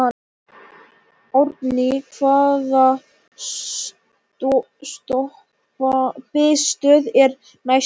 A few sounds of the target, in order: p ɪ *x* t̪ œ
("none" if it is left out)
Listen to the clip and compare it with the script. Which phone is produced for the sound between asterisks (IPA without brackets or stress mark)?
s